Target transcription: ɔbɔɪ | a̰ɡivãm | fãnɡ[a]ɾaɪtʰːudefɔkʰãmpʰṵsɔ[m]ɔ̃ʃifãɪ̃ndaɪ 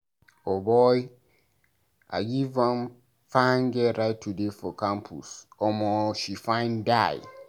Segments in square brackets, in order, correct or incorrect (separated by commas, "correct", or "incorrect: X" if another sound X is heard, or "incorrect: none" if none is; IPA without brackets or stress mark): incorrect: ɛ, correct